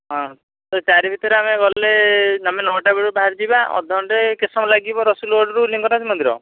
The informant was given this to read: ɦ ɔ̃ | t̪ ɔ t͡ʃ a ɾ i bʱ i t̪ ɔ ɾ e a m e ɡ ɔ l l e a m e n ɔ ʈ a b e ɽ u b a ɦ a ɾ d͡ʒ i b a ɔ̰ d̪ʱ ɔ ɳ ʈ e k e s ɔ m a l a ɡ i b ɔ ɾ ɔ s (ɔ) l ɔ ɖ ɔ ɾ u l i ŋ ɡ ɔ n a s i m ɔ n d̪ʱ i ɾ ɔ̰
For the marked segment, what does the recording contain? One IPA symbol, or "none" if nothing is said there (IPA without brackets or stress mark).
u